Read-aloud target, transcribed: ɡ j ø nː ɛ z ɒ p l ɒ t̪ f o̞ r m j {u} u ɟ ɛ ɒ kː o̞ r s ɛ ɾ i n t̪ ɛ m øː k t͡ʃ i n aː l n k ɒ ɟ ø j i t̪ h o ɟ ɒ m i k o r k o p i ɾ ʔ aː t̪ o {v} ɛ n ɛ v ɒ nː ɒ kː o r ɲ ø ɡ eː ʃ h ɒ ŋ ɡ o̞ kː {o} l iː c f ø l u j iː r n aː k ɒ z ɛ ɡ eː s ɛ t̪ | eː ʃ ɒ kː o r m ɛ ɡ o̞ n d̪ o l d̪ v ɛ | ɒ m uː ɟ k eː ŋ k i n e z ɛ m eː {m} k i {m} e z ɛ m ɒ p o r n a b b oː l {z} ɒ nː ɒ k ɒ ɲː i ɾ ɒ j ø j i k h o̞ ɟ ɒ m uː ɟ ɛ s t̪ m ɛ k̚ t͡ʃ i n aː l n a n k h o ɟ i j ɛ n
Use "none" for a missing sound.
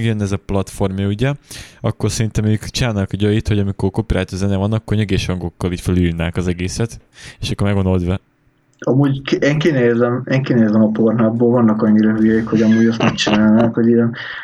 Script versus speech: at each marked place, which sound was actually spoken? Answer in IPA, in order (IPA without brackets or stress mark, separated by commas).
ɒ, z, ɒ, ŋ, n, v